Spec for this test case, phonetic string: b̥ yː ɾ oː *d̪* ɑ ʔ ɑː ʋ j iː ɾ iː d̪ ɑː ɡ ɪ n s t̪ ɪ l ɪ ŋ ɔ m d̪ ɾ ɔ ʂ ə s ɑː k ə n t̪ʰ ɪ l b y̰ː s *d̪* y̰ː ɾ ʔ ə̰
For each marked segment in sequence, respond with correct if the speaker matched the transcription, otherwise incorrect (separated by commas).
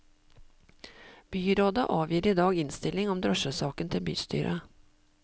correct, incorrect